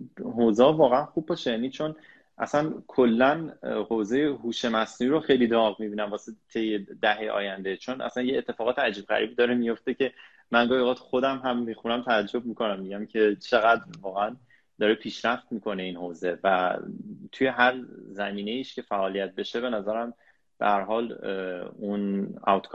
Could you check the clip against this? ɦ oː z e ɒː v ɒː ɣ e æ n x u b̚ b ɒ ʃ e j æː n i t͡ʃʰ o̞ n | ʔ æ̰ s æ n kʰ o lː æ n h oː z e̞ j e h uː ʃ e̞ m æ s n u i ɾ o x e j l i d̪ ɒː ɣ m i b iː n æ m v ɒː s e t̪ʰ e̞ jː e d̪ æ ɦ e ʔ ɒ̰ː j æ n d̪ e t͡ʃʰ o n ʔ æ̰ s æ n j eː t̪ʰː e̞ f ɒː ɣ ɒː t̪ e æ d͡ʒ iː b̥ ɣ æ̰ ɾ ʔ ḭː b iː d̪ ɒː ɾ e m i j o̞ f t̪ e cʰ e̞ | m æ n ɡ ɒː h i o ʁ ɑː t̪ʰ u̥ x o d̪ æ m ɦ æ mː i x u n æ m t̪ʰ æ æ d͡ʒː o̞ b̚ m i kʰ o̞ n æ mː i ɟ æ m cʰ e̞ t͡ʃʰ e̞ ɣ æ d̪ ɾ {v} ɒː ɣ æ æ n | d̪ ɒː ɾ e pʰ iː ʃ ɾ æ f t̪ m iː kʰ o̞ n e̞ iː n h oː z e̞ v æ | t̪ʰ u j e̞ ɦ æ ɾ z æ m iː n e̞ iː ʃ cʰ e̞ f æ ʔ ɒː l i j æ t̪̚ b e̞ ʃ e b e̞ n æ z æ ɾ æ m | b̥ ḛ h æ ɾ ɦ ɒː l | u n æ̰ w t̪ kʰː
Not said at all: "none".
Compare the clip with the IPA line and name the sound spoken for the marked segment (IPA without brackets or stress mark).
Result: v